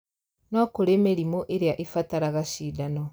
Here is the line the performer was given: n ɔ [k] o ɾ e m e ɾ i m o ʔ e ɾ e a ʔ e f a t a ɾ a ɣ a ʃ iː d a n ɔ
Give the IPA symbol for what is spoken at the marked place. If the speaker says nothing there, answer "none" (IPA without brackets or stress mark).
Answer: k